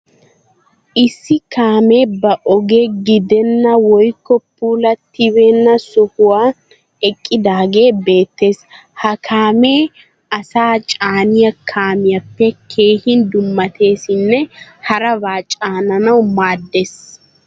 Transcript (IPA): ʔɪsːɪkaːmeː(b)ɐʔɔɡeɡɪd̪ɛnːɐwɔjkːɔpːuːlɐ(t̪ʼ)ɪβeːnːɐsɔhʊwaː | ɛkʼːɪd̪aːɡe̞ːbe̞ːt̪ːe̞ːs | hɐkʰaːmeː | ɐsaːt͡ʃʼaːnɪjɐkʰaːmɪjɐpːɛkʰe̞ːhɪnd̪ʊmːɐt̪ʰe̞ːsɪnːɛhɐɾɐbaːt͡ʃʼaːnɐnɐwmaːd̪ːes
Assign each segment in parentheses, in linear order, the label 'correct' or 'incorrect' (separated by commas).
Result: correct, incorrect